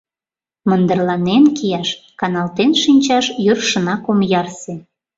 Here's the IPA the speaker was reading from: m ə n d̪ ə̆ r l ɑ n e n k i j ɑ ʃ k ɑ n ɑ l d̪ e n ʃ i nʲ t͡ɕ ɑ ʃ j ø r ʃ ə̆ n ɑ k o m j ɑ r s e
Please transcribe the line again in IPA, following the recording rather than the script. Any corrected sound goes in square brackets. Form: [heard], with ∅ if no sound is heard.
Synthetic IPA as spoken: m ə n d̪ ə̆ r l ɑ n e n k i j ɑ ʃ k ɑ n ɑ l [t̪] e n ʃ i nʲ t͡ɕ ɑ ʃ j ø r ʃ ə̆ n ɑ k o m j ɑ r s e